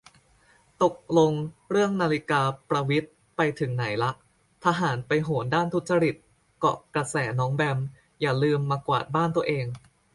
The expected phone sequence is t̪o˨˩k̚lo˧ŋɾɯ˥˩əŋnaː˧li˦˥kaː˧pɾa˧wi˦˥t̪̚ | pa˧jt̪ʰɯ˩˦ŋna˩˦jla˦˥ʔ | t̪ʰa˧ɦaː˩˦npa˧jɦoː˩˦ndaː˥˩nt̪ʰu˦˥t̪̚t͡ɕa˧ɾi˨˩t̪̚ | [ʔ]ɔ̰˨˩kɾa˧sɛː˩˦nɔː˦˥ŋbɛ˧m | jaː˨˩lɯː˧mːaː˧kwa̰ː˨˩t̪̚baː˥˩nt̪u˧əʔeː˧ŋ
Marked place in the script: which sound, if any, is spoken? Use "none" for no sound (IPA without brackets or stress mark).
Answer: k